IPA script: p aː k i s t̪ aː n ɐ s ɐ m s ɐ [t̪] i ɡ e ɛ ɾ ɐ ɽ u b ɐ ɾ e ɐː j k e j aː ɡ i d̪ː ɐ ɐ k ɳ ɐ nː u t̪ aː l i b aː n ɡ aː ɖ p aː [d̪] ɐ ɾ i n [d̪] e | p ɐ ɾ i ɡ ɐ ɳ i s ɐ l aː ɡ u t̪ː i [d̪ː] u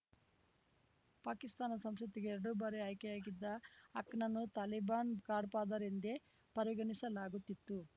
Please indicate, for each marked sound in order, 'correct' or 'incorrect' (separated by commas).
correct, correct, correct, incorrect